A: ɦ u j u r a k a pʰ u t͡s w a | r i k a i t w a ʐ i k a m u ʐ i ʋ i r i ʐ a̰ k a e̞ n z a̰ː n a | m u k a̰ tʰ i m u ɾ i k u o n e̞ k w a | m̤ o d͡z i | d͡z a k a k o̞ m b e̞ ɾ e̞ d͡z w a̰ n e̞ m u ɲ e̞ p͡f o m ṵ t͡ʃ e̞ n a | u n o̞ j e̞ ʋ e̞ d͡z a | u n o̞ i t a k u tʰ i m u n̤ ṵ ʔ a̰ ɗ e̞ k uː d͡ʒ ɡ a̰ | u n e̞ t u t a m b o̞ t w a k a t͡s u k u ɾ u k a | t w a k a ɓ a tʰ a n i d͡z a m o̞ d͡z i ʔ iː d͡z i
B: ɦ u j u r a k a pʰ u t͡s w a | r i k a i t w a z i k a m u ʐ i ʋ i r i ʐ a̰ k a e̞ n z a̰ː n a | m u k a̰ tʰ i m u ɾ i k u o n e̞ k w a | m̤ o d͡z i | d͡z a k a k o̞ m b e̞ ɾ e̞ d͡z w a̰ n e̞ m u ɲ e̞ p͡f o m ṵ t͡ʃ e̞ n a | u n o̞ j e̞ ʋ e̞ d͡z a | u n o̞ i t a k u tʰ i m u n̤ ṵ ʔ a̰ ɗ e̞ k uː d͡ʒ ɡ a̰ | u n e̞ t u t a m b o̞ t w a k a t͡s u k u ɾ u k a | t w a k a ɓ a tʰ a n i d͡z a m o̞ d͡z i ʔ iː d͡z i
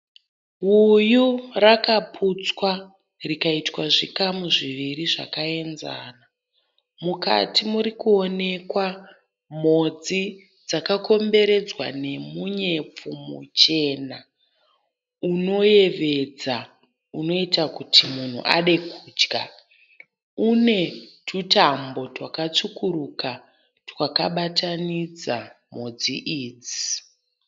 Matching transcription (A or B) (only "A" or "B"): A